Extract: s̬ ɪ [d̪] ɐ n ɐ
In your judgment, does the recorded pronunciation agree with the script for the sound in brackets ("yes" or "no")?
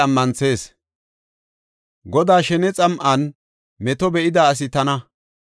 no